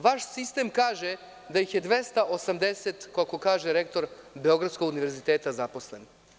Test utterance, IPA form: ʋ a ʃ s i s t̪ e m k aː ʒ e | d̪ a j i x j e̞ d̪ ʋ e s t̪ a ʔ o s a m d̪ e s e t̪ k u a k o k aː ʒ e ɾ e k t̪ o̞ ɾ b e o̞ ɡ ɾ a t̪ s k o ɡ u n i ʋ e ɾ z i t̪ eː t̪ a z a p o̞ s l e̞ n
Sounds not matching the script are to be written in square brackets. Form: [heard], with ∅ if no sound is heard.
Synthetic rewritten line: ʋ a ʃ s i s t̪ e m k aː ʒ e | d̪ a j i x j e̞ d̪ ʋ e s t̪ a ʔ o s a m d̪ e s e t̪ k [o] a k o k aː ʒ e ɾ e k t̪ o̞ ɾ b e o̞ ɡ ɾ a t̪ s k o ɡ u n i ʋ e ɾ z i t̪ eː t̪ a z a p o̞ s l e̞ n